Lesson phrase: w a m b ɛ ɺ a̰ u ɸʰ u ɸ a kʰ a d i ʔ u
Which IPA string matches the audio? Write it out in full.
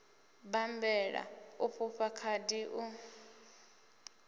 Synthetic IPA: b a m b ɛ ɺ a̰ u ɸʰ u ɸ a kʰ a d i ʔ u